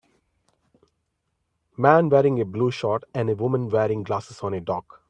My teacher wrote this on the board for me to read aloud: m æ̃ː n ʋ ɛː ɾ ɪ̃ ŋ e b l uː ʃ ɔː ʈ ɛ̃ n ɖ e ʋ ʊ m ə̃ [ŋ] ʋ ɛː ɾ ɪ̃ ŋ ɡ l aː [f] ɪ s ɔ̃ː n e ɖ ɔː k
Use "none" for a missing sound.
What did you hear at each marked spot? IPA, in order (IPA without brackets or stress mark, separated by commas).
n, s